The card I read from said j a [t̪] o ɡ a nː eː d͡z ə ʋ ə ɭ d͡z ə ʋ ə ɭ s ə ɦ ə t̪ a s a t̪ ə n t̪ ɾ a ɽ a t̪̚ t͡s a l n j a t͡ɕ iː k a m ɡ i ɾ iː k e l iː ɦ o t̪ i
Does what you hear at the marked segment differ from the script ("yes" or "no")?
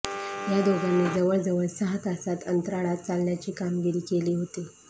yes